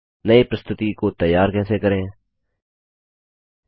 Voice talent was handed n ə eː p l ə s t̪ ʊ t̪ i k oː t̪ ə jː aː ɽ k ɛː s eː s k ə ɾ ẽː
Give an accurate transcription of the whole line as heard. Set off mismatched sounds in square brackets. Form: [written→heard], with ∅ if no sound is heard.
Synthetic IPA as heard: n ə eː p [l→ɾ] ə s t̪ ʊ t̪ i k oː t̪ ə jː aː [ɽ→ɾ] k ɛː s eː [s→∅] k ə ɾ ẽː